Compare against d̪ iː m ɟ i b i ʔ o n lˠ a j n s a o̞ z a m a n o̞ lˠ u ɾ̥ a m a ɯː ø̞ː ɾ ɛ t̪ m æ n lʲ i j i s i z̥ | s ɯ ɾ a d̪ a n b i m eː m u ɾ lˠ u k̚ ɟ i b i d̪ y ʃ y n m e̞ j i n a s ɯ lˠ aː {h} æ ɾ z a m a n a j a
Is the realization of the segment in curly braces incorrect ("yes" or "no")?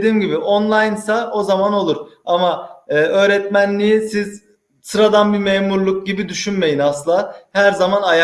no